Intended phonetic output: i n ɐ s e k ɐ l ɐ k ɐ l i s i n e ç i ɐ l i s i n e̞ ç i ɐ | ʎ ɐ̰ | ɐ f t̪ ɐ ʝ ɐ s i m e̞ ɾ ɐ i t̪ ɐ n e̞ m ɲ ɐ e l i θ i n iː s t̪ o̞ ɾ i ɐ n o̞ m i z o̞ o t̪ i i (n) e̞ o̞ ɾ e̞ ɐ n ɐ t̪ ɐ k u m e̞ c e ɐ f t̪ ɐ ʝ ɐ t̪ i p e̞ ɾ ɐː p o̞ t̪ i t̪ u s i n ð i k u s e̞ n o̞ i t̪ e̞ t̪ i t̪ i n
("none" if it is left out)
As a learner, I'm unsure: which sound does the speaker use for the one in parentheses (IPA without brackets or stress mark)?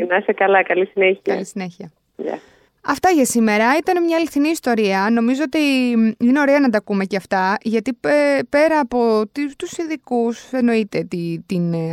n